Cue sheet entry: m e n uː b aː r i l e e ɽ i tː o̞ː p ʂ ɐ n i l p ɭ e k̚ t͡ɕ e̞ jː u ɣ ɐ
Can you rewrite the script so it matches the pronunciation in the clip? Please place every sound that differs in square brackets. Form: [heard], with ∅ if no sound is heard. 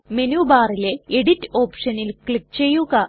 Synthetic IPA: m e n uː b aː r i l e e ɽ i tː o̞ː p ʂ ɐ n i l [k] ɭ [i] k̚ t͡ɕ e̞ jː u ɣ ɐ